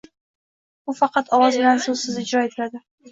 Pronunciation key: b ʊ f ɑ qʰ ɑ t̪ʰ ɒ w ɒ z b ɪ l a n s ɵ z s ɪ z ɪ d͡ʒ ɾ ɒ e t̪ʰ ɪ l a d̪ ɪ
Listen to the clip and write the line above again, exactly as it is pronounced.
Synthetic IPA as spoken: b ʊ f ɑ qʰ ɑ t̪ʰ ɒ w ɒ z b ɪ l a n s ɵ z s ɪ z ɪ d͡ʒ ɾ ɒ e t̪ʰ ɪ l a d̪ ɪ